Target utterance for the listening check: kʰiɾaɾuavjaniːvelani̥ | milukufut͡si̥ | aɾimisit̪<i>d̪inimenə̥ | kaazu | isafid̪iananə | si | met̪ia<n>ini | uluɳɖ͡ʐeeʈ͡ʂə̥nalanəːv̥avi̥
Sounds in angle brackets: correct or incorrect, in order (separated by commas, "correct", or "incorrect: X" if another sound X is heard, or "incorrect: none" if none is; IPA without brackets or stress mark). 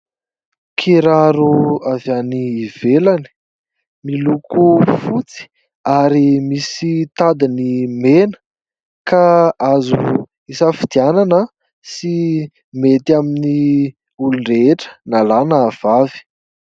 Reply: incorrect: a, incorrect: m